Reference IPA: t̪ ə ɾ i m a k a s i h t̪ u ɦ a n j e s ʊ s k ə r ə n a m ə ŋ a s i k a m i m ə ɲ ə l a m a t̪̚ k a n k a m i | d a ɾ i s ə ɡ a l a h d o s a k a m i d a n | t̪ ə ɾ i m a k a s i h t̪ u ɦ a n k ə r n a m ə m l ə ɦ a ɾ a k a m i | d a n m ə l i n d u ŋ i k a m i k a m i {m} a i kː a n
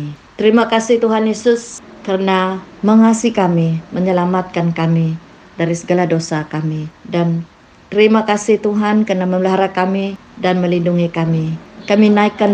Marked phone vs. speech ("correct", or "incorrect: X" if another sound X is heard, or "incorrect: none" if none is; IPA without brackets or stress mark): incorrect: n